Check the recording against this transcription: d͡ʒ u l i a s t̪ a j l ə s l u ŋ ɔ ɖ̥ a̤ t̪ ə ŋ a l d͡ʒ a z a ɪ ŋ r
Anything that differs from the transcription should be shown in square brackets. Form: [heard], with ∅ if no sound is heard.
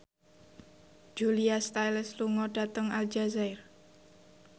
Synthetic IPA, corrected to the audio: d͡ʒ u l i a s t̪ a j l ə s l u ŋ ɔ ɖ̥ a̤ t̪ ə ŋ a l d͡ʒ a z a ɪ [∅] r